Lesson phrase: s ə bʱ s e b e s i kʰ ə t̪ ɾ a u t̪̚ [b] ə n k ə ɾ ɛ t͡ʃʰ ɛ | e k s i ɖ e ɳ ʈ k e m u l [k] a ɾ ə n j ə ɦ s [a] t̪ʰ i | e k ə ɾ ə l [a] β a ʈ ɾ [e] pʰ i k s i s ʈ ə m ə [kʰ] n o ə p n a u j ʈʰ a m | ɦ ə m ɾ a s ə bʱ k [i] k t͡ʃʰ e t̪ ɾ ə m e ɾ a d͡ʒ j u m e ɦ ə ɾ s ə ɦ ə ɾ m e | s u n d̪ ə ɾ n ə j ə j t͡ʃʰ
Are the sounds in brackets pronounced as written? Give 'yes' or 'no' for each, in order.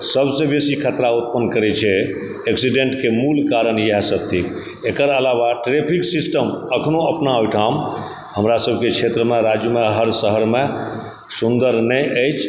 no, yes, no, yes, yes, yes, no

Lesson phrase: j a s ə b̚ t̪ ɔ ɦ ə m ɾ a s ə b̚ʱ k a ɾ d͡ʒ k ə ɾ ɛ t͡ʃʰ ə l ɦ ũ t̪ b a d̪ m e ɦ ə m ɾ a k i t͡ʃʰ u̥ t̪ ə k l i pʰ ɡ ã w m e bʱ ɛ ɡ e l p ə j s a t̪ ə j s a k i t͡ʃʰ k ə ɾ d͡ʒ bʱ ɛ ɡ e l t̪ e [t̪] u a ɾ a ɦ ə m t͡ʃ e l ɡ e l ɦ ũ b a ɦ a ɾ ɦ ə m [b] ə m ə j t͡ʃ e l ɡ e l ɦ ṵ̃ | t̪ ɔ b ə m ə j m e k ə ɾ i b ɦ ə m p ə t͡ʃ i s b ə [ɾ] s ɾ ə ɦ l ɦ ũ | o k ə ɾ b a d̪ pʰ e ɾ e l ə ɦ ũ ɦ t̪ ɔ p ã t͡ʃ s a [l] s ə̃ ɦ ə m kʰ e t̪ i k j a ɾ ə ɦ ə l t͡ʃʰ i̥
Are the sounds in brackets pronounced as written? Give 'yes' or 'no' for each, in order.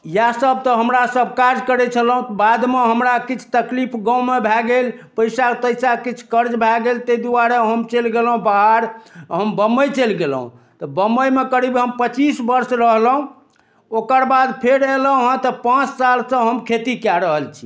no, yes, yes, yes

